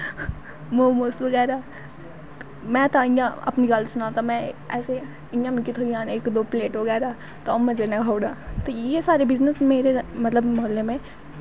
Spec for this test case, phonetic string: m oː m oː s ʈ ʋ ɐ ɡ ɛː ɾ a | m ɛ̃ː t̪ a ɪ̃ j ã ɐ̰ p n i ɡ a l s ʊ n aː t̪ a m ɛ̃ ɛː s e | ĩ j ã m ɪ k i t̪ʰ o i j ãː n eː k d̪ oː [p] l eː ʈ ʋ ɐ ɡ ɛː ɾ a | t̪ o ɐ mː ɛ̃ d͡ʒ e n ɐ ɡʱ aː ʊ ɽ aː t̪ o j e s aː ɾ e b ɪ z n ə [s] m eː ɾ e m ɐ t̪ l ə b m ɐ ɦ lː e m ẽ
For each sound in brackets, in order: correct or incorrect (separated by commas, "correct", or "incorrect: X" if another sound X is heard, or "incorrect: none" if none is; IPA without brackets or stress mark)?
correct, correct